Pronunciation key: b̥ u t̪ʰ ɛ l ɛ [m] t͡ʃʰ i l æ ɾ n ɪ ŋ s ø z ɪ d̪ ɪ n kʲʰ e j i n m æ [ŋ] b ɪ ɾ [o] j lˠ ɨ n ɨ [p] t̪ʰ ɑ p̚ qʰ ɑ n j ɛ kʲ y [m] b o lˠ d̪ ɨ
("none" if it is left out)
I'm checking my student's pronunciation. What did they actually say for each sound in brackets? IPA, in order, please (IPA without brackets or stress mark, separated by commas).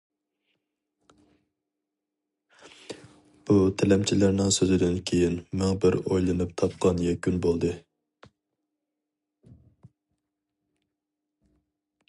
m, ŋ, o, p, n